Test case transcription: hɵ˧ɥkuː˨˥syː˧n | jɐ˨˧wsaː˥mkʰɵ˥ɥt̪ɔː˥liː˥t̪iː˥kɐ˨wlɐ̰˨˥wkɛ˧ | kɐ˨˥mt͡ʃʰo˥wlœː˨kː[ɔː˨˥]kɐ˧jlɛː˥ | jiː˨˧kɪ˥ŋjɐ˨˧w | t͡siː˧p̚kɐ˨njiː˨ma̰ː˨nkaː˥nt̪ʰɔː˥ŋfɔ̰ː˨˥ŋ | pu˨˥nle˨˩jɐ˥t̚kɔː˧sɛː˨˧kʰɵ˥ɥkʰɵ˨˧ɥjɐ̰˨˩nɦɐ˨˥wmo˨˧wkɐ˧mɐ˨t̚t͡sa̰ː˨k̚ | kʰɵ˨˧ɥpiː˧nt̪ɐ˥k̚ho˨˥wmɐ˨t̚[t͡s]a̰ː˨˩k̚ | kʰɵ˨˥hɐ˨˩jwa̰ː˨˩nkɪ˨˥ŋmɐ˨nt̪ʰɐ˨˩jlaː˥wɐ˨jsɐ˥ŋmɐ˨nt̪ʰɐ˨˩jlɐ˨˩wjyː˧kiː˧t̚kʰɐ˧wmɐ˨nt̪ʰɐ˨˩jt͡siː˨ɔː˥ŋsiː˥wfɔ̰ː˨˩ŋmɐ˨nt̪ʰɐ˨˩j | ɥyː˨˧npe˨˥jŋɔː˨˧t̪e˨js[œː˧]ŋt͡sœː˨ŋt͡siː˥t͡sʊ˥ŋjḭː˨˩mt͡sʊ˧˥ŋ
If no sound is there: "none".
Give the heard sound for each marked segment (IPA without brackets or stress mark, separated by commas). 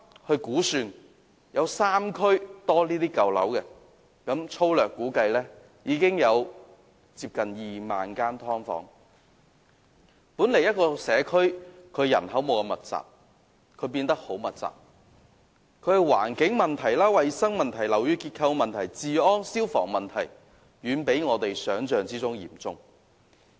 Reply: uː˨˥, t͡s, œː˨˥